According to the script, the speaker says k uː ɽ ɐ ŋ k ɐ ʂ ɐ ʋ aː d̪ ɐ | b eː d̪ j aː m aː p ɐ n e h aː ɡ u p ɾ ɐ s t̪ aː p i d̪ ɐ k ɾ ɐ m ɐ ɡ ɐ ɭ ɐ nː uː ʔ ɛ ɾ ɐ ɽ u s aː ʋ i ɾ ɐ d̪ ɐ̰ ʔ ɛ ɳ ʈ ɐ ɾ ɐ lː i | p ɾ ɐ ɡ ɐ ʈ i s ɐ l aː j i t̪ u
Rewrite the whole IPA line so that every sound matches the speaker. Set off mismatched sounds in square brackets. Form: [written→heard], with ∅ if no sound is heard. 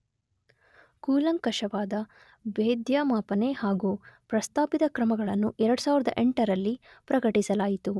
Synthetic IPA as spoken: k uː [ɽ→l] ɐ ŋ k ɐ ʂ ɐ ʋ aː d̪ ɐ | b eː d̪ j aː m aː p ɐ n e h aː ɡ u p ɾ ɐ s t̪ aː p i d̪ ɐ k ɾ ɐ m ɐ ɡ ɐ ɭ ɐ nː [uː→u] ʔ ɛ ɾ ɐ ɽ u s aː ʋ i ɾ ɐ d̪ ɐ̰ ʔ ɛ ɳ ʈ ɐ ɾ ɐ lː i | p ɾ ɐ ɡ ɐ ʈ i s ɐ l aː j i t̪ u